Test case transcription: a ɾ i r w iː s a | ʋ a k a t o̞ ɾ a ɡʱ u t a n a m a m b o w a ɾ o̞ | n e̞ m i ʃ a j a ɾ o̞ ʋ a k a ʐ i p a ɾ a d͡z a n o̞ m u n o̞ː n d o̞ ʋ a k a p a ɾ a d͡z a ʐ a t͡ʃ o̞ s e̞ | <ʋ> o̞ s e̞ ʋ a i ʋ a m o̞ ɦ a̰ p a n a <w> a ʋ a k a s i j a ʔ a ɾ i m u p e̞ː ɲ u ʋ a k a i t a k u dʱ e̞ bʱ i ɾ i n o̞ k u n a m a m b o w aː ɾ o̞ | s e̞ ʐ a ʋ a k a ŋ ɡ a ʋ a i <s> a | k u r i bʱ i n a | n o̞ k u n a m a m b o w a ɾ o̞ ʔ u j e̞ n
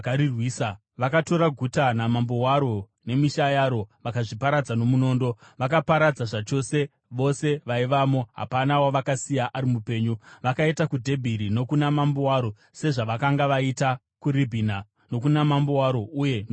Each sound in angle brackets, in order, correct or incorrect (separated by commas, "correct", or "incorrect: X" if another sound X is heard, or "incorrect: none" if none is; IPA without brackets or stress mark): correct, correct, incorrect: t